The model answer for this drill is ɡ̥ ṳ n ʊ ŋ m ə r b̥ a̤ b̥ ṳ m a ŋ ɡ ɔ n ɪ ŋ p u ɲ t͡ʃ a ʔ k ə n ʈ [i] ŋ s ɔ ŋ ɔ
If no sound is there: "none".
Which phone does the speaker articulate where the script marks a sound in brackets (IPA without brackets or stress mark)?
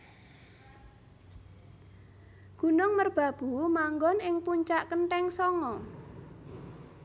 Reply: ɛ